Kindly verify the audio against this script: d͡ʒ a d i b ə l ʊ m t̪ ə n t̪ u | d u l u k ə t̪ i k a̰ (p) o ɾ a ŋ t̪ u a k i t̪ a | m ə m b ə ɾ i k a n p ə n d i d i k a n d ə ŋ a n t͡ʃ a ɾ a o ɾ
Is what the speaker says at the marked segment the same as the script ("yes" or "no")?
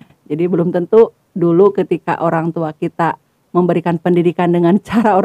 no